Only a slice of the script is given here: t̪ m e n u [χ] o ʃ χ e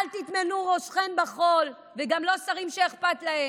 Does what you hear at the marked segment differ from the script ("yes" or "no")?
yes